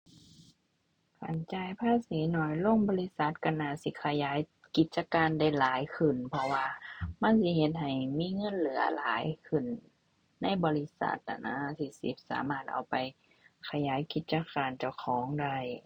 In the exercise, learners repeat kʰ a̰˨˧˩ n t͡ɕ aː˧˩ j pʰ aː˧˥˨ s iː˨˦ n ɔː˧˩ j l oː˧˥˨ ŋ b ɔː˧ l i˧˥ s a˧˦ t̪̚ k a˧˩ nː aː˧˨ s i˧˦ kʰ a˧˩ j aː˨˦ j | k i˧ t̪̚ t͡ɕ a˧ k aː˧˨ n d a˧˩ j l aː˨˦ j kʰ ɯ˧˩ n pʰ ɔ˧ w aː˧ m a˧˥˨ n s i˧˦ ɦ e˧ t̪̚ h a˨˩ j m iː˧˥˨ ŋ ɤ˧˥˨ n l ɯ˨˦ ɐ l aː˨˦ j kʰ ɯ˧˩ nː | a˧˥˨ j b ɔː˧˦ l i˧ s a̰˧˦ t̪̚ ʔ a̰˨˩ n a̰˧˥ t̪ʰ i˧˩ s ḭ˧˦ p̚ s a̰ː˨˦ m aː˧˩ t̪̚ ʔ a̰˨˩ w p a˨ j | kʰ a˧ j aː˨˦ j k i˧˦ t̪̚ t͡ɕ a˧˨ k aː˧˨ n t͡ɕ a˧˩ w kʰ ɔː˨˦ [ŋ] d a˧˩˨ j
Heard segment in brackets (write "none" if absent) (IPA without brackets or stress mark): ŋ